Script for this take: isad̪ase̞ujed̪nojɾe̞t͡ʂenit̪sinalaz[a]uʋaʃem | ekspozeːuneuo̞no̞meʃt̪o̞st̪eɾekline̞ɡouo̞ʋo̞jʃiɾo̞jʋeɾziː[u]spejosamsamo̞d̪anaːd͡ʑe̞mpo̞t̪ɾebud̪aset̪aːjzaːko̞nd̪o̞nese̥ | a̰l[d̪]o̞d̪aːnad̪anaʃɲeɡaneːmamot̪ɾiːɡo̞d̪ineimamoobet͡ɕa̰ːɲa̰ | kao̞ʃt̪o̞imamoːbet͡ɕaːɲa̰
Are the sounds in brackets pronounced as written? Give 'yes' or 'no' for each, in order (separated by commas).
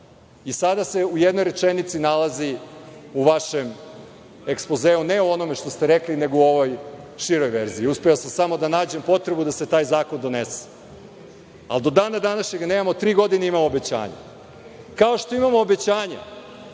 no, yes, yes